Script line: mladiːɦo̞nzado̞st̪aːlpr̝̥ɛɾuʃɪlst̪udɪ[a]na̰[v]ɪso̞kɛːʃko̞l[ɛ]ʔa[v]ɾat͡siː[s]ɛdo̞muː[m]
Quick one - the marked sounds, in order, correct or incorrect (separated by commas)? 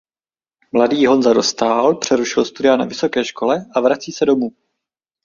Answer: correct, correct, correct, correct, correct, incorrect